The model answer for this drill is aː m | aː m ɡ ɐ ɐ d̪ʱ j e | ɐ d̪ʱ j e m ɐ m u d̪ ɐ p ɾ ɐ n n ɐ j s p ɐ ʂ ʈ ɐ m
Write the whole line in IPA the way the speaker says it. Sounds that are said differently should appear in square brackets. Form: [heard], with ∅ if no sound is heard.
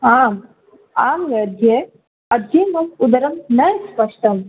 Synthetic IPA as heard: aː m | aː m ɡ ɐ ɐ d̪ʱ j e | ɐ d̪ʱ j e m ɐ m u d̪ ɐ [∅] ɾ ɐ [m] n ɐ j s p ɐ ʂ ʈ ɐ m